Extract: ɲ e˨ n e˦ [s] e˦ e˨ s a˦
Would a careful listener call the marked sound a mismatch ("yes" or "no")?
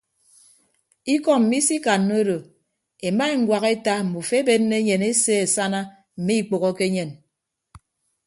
no